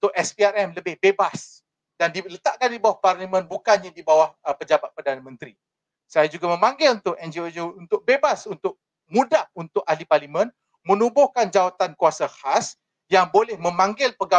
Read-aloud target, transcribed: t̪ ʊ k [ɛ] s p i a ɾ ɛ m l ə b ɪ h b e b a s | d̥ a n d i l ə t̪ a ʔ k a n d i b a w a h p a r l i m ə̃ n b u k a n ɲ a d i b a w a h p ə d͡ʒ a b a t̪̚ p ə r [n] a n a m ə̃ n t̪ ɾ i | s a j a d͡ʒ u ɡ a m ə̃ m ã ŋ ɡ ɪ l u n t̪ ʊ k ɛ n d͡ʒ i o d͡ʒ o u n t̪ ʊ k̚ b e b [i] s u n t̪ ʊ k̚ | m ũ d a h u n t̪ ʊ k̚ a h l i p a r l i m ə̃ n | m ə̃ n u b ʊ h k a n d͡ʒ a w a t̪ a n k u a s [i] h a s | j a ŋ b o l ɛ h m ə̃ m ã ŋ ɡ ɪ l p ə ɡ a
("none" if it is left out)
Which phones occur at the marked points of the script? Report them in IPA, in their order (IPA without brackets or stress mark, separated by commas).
ɛ, d, a, a